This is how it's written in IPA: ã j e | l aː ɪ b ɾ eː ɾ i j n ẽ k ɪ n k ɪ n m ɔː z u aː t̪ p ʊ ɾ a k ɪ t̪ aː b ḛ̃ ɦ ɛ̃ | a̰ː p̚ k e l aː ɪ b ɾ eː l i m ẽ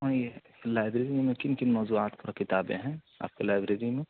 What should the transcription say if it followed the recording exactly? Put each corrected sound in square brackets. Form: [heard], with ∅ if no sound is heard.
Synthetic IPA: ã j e | l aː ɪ b ɾ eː ɾ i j [m] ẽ k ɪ n k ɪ n m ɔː z u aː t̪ p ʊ ɾ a k ɪ t̪ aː b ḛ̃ ɦ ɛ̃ | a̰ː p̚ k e l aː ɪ b ɾ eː [ɾ] i m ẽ